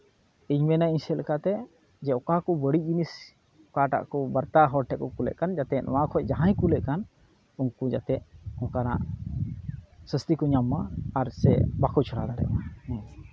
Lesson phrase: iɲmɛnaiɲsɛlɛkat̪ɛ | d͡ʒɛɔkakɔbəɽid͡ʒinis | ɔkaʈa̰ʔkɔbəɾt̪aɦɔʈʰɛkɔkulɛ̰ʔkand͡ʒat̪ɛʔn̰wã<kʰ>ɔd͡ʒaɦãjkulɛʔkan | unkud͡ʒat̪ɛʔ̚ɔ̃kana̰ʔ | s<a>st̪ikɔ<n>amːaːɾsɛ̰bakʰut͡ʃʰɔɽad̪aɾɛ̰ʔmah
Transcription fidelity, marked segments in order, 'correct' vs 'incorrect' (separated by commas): correct, incorrect, incorrect